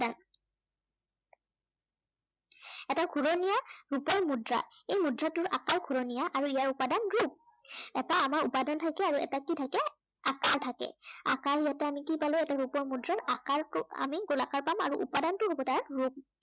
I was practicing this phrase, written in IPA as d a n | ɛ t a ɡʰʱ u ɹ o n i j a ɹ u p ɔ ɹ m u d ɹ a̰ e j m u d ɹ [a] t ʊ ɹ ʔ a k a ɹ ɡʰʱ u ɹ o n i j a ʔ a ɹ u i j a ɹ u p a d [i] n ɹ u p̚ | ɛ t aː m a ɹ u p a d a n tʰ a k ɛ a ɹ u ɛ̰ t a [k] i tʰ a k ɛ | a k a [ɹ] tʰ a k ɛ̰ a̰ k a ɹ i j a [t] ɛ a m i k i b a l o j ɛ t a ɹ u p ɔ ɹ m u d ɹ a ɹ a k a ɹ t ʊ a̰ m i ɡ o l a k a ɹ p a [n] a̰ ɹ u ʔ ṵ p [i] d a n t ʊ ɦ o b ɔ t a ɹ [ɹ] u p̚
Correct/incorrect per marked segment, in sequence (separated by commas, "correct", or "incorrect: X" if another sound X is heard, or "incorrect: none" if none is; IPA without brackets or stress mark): correct, incorrect: a, correct, correct, correct, incorrect: m, incorrect: a, correct